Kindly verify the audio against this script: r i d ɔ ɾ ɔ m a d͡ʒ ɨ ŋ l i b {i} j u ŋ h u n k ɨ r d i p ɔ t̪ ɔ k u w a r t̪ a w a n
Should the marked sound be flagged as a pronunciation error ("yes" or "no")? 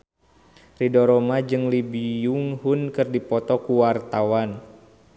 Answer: no